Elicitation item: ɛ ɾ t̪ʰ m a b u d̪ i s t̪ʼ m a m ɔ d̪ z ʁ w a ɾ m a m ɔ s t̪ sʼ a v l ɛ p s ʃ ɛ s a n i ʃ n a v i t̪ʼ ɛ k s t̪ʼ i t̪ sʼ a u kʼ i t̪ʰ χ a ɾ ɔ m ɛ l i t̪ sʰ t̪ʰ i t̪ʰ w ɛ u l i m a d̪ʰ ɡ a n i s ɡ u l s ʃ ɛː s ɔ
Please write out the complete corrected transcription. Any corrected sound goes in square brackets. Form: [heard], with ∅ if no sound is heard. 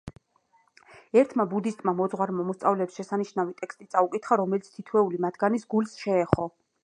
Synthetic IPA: ɛ ɾ t̪ʰ m a b u d̪ i s t̪ʼ m a m ɔ d̪ z ʁ w a ɾ m a m ɔ s t̪ sʼ a v l ɛ p s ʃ ɛ s a n i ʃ n a v i t̪ʼ ɛ k s t̪ʼ i t̪ sʼ a u kʼ i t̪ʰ χ a ɾ ɔ m ɛ l i t̪ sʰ t̪ʰ i t̪ʰ w ɛ u l i m a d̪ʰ ɡ a n i s ɡ u l s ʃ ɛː [χ] ɔ

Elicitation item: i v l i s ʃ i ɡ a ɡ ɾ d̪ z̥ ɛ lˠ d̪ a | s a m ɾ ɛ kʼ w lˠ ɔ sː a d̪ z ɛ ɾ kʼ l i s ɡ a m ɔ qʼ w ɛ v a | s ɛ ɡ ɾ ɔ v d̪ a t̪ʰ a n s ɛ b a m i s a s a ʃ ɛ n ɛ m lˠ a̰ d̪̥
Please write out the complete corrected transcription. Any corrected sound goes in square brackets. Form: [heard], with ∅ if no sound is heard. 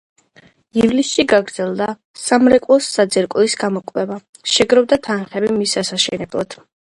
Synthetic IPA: i v l i s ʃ i ɡ a ɡ ɾ d̪ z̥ ɛ lˠ d̪ a | s a m ɾ ɛ kʼ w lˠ ɔ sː a d̪ z ɛ ɾ kʼ l i s ɡ a m ɔ [kʼ] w ɛ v a | [ʃ] ɛ ɡ ɾ ɔ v d̪ a t̪ʰ a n [χ] ɛ b [i] m i s a s a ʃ ɛ n ɛ [b] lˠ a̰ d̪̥

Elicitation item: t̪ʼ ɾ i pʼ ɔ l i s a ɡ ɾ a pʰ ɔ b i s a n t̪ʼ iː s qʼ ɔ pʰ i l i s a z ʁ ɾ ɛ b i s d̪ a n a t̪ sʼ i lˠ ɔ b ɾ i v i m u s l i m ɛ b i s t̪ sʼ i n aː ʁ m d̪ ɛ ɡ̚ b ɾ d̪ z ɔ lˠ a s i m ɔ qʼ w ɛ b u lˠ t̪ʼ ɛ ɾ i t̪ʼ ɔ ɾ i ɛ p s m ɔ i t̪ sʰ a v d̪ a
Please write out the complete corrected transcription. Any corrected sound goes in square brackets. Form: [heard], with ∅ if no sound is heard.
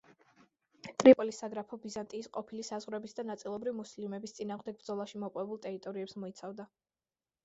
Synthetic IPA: t̪ʼ ɾ i pʼ ɔ l i s a ɡ ɾ a pʰ ɔ b i [z] a n t̪ʼ iː s qʼ ɔ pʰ i l i s a z ʁ ɾ ɛ b i s d̪ a n a t̪ sʼ i lˠ ɔ b ɾ i v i m u s l i m ɛ b i s t̪ sʼ i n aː ʁ m d̪ ɛ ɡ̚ b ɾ d̪ z ɔ lˠ a [ʃ] i m ɔ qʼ w ɛ b u lˠ t̪ʼ ɛ ɾ i t̪ʼ ɔ ɾ i ɛ p s m ɔ i t̪ sʰ a v d̪ a

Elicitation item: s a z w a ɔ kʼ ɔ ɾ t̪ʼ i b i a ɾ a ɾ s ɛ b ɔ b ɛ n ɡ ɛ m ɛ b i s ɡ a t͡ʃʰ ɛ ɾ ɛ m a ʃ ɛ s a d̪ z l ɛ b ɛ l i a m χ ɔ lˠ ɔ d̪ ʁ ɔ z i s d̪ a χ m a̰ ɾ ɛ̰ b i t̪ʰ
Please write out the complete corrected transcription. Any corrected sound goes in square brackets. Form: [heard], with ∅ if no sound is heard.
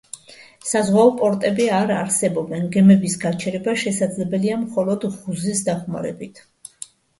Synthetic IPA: s a z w a ɔ [pʼ] ɔ ɾ t̪ʼ [ɛ] b i a ɾ a ɾ s ɛ b ɔ b ɛ n ɡ ɛ m ɛ b i s ɡ a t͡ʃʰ ɛ ɾ ɛ [b] a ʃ ɛ s a d̪ z l ɛ b ɛ l i a m χ ɔ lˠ ɔ d̪ ʁ [u] z i s d̪ a χ m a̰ ɾ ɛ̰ b i t̪ʰ

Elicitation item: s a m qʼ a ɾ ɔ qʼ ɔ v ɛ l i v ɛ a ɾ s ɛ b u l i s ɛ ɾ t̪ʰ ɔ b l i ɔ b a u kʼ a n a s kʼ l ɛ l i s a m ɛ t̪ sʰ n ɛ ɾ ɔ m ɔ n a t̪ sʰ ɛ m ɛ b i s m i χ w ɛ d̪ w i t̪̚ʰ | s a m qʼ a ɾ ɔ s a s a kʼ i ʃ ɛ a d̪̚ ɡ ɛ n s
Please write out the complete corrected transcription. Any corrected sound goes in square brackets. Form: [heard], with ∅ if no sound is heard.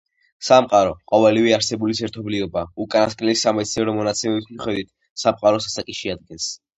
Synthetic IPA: s a m qʼ a ɾ ɔ qʼ ɔ v ɛ l i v ɛ a ɾ s ɛ b u l i s ɛ ɾ t̪ʰ ɔ b l i ɔ b a u kʼ a n a s kʼ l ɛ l i s a m ɛ t̪ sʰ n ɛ ɾ ɔ m ɔ n a t̪ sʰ ɛ m ɛ b i s m i χ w ɛ d̪ w i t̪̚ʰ | s a m qʼ a ɾ ɔ s a s a kʼ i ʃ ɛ a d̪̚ ɡ ɛ n s

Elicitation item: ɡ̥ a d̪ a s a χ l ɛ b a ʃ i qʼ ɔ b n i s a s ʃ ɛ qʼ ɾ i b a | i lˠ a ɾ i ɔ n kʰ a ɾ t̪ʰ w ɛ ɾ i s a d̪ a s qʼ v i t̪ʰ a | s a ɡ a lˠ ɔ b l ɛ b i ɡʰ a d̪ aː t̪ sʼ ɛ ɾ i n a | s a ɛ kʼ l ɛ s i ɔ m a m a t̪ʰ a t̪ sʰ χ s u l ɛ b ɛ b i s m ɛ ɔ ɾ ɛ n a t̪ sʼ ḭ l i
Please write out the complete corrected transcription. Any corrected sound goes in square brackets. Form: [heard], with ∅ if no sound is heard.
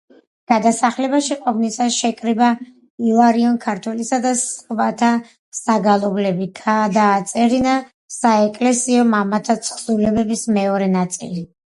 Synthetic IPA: ɡ̥ a d̪ a s a χ l ɛ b a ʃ i qʼ ɔ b n i s a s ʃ ɛ [kʼ] ɾ i b a | i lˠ a ɾ i ɔ n kʰ a ɾ t̪ʰ w ɛ [l] i s a d̪ a s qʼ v [a] t̪ʰ a | s a ɡ a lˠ ɔ b l ɛ b i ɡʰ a d̪ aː t̪ sʼ ɛ ɾ i n a | s a ɛ kʼ l ɛ s i ɔ m a m a t̪ʰ a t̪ sʰ χ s u l ɛ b ɛ b i s m ɛ ɔ ɾ ɛ n a t̪ sʼ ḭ l i

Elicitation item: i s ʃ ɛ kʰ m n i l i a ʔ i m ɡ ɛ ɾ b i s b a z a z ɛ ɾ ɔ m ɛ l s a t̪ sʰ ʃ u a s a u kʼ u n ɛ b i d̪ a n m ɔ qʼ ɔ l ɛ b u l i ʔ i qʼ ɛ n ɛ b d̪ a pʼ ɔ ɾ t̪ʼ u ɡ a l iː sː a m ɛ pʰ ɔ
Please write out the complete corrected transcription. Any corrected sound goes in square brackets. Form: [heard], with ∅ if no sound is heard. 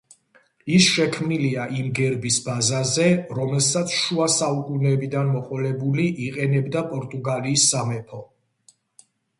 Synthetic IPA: i s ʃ ɛ kʰ m n i l i a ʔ i m ɡ ɛ ɾ b i s b a z a z ɛ ɾ ɔ m ɛ l s a t̪ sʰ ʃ u a s a u kʼ u n ɛ b i d̪ a n m ɔ qʼ ɔ l ɛ b u l i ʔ i qʼ ɛ n ɛ b d̪ a pʼ ɔ ɾ t̪ʼ u ɡ a l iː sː a m ɛ pʰ ɔ

